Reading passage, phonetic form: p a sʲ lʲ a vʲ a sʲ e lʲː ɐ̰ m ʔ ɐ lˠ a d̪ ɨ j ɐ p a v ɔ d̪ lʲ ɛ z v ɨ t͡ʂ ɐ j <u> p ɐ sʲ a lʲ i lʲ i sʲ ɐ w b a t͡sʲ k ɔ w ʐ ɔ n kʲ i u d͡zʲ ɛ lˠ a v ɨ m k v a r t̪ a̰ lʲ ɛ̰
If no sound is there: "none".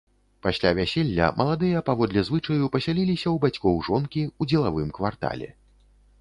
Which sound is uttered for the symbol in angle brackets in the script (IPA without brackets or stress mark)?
u